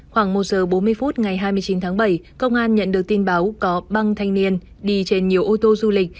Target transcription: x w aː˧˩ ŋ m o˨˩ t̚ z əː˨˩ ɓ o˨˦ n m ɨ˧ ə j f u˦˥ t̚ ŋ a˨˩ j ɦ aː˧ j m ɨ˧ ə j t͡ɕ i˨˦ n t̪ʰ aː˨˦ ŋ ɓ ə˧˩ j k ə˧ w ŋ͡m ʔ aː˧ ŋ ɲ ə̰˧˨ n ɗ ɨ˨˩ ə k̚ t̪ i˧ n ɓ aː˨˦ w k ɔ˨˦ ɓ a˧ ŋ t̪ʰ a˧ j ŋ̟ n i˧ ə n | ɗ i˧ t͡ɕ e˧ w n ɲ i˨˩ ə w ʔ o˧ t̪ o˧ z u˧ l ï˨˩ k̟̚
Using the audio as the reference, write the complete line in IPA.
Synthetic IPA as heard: x w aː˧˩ ŋ m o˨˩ t̚ z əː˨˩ ɓ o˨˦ n m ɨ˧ ə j f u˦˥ t̚ ŋ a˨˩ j ɦ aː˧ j m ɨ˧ ə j t͡ɕ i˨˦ n t̪ʰ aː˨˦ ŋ ɓ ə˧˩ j k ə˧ w ŋ͡m ʔ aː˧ n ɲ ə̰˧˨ n ɗ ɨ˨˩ ə k̚ t̪ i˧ n ɓ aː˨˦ w k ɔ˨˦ ɓ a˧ ŋ t̪ʰ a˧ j ŋ̟ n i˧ ə n | ɗ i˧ t͡ɕ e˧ n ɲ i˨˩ ə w ʔ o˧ t̪ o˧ z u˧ l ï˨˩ k̟̚